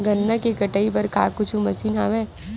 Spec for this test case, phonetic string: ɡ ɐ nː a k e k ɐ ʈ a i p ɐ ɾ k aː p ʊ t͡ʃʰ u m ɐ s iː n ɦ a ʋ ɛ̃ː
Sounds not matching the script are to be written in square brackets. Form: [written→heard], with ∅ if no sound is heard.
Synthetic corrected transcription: ɡ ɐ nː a k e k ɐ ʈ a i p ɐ ɾ k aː [p→k] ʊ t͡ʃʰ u m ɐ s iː n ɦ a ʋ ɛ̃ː